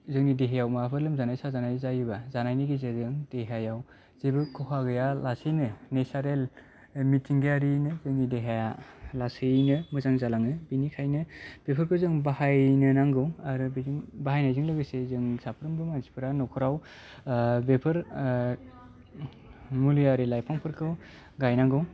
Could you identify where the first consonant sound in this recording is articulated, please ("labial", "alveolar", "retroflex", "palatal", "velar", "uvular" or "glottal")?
alveolar